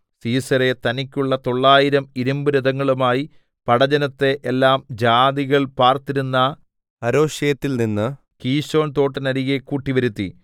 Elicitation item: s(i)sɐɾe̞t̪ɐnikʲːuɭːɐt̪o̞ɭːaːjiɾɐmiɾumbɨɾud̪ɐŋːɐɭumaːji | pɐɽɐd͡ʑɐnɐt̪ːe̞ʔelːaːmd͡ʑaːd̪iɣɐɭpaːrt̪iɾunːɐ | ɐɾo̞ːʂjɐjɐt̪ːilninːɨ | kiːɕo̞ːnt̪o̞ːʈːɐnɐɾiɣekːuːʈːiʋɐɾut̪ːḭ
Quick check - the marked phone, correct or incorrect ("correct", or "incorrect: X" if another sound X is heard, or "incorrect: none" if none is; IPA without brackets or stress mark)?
incorrect: iː